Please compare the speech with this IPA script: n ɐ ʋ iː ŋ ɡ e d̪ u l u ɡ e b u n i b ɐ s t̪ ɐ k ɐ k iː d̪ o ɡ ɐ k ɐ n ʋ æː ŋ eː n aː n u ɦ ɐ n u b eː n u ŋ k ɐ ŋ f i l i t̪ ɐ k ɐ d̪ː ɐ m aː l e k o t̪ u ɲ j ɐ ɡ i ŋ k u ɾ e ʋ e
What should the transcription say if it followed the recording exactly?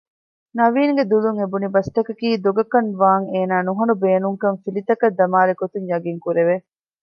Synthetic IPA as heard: n ɐ ʋ iː ŋ ɡ e d̪ u l u ŋ e b u n i b ɐ s t̪ ɐ k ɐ k iː d̪ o ɡ ɐ k ɐ n ʋ aː ŋ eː n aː n u ɦ ɐ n u b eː n u ŋ k ɐ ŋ f i l i t̪ ɐ k ɐ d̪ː ɐ m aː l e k o t̪ u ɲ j ɐ ɡ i ŋ k u ɾ e ʋ e